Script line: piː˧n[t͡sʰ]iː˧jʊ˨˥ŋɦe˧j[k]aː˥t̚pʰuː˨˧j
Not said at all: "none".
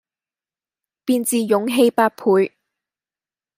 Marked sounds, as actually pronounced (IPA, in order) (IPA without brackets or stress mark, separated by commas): t͡s, p